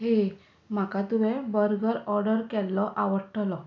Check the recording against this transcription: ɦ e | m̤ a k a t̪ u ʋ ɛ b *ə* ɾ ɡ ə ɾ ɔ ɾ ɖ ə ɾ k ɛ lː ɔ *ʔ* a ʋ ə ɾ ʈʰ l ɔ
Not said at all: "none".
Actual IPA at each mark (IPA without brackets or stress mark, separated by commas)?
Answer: ə, ʔ